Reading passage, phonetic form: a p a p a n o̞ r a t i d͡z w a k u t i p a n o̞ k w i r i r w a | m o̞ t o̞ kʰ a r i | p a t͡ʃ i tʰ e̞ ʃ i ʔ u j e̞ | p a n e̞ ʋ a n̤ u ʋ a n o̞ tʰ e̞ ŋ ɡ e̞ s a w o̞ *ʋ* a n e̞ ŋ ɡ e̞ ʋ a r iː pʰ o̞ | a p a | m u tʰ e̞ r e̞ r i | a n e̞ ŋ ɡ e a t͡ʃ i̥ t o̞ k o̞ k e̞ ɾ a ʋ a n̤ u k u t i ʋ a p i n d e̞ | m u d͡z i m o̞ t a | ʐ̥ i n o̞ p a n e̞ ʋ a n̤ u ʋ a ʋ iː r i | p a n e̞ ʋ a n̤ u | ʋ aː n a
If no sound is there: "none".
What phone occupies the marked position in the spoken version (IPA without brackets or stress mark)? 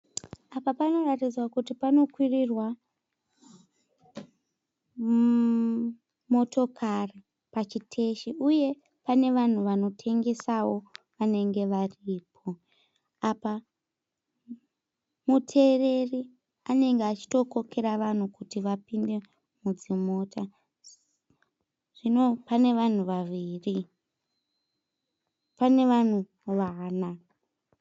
ʋ